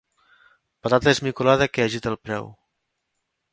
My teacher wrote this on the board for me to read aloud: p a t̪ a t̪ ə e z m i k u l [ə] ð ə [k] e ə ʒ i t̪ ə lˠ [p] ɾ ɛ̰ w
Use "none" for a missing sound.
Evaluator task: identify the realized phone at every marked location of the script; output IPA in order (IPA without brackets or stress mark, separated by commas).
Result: a, k, p